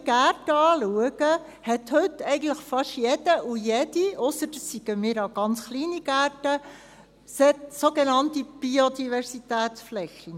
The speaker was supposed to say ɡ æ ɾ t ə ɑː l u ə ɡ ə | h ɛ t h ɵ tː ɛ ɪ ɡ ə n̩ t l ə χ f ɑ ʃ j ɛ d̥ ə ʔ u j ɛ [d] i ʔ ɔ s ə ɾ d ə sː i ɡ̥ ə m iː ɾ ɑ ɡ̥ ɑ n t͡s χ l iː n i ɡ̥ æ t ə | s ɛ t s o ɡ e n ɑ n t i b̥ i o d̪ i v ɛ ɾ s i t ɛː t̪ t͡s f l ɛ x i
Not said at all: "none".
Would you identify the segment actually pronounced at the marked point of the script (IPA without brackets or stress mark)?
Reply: d